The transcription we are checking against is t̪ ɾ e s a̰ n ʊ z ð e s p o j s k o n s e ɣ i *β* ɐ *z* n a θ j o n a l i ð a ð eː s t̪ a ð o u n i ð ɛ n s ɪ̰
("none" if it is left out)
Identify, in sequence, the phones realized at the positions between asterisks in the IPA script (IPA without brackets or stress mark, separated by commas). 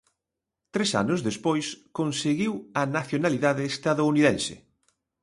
w, none